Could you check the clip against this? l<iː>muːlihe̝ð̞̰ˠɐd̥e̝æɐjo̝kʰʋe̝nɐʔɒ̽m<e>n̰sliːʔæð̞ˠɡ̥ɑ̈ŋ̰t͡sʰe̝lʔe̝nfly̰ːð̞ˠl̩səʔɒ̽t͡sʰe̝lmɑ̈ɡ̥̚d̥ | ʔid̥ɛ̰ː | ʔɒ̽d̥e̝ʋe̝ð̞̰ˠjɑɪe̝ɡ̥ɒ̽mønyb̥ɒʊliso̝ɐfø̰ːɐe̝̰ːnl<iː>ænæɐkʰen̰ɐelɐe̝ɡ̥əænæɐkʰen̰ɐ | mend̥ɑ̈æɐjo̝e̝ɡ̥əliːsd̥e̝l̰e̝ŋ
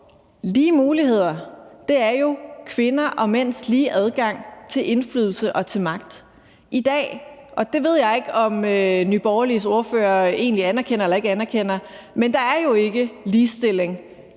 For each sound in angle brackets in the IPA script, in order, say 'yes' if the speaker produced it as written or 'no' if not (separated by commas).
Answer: yes, yes, no